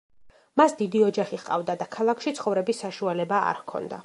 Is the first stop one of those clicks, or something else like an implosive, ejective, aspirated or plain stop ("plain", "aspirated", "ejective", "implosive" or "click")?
plain